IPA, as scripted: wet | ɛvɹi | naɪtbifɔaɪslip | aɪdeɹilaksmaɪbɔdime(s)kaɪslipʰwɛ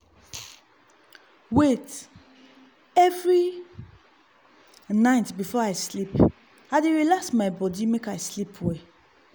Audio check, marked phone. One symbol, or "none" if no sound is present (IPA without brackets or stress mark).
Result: none